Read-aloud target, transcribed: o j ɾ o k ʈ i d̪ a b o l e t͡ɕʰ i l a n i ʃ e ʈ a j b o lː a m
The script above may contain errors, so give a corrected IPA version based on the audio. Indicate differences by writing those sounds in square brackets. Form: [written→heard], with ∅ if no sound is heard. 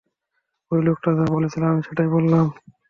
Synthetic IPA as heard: o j [ɾ→l] o k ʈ [i→a] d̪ a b o l e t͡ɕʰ i l a [n→m] i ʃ e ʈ a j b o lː a m